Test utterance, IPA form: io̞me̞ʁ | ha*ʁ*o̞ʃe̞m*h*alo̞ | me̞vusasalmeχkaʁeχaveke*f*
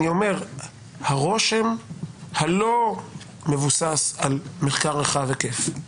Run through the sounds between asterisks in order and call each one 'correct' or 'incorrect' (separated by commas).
correct, correct, correct